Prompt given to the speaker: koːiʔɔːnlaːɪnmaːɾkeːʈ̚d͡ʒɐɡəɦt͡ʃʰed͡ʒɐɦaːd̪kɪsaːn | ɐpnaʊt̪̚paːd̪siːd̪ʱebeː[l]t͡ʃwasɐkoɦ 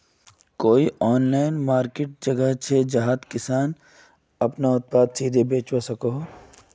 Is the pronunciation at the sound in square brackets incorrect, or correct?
incorrect